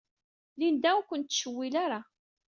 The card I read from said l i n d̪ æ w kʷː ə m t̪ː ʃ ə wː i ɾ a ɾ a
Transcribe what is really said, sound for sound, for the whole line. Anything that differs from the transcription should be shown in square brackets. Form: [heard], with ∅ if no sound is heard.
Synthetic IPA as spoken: l i n d̪ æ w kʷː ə [n] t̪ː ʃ ə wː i [l] a ɾ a